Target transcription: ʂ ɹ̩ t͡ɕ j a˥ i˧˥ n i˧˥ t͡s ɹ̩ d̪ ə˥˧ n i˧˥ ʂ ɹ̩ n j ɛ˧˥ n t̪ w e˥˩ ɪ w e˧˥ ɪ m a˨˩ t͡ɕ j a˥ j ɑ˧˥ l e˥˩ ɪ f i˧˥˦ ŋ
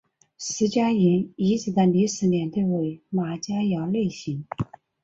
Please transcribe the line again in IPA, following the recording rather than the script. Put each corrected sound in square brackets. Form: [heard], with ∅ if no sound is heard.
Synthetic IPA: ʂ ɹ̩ t͡ɕ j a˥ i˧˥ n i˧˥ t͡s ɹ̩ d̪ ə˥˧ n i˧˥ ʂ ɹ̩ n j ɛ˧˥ n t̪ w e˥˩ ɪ w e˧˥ ɪ m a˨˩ t͡ɕ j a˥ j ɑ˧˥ l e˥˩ ɪ [ɕ] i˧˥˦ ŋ